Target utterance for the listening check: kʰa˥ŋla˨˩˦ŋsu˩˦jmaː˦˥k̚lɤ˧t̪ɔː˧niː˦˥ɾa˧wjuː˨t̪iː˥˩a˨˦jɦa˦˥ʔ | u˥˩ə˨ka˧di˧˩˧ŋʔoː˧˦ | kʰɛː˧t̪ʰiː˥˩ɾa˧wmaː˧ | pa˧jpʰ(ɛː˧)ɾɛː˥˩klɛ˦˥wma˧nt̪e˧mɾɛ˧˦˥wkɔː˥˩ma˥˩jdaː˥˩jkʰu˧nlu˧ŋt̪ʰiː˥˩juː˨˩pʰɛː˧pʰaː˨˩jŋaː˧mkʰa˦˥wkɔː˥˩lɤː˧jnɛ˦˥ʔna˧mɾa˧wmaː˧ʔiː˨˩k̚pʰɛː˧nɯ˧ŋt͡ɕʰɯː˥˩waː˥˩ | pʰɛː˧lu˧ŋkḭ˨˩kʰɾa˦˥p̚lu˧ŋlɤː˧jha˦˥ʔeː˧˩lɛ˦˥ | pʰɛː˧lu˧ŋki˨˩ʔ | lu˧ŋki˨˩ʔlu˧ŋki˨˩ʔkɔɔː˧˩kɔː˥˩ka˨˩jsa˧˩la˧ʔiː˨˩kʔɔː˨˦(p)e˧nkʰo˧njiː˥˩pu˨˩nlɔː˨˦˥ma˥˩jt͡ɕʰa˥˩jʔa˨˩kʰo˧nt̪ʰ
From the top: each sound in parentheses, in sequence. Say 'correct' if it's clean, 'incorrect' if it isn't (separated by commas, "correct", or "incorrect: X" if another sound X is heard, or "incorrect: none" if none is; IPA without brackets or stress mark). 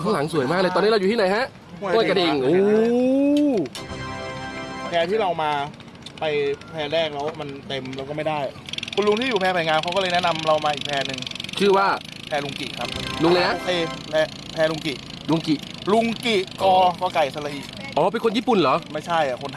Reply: correct, correct